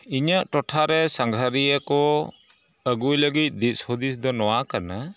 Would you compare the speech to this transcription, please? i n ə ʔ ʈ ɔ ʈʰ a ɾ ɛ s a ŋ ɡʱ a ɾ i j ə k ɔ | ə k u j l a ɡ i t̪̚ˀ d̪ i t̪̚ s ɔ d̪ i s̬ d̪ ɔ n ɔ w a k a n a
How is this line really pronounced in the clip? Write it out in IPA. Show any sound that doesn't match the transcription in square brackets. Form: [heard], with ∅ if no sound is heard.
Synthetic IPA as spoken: i [ɲ] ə ʔ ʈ ɔ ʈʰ a ɾ ɛ s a ŋ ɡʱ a ɾ i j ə k ɔ | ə [ɡ] u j l [ə] ɡ i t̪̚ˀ d̪ i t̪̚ s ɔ d̪ i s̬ d̪ ɔ n ɔ w a k a n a

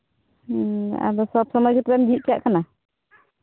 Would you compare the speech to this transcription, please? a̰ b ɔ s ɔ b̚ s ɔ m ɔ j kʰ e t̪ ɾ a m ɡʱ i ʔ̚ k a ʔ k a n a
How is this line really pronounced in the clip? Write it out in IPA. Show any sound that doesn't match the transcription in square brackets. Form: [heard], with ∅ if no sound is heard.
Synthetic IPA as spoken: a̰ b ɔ s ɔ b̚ s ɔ m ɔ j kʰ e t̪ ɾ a m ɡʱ i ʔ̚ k a ʔ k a n a

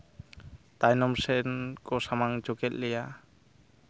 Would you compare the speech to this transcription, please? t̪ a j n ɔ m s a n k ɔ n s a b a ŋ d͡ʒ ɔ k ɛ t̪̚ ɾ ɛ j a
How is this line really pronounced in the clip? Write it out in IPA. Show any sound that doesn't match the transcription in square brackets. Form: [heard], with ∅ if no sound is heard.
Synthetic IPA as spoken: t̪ a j n ɔ m s [ɛ] n k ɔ [∅] s a [m] a ŋ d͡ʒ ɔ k ɛ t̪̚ [l] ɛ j a

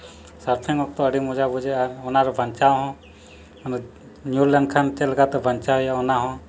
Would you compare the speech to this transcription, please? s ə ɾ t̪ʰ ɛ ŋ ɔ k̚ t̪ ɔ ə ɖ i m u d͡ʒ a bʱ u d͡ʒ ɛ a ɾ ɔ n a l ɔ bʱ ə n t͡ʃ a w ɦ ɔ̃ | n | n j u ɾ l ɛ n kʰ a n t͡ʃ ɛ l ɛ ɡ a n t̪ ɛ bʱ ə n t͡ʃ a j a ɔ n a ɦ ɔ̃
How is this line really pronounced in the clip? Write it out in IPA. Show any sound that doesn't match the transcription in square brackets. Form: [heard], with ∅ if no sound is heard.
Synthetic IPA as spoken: s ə ɾ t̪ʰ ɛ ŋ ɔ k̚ t̪ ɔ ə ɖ i m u d͡ʒ a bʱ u d͡ʒ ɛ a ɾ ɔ n a [ɾ] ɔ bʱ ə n t͡ʃ a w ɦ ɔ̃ | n | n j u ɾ l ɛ n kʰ a n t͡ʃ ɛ l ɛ ɡ a [∅] t̪ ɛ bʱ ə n t͡ʃ a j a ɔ n a ɦ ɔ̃

